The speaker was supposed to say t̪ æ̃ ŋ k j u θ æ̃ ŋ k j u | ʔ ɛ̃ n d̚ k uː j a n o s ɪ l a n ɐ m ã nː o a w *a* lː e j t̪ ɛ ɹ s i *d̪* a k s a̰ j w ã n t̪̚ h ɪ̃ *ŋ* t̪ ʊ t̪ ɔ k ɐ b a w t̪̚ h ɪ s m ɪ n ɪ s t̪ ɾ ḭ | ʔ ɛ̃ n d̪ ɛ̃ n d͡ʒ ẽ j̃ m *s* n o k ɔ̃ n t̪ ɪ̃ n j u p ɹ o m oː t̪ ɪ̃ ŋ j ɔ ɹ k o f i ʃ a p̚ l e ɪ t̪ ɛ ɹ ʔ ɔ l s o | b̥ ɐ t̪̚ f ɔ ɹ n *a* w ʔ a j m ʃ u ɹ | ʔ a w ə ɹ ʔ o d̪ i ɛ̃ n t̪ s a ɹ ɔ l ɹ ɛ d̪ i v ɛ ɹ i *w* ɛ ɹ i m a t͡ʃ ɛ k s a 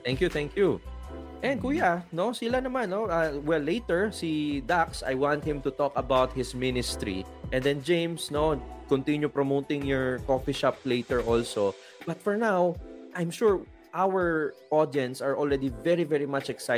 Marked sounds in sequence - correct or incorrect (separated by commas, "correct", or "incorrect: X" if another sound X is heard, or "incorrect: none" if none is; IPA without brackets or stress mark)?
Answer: incorrect: ɛ, correct, incorrect: m, correct, correct, incorrect: v